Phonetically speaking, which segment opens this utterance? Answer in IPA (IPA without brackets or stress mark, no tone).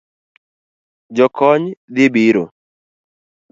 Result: d͡ʒ